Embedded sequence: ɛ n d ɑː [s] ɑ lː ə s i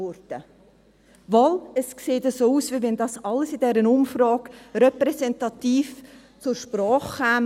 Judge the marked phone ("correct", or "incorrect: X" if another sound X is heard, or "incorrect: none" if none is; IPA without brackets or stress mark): correct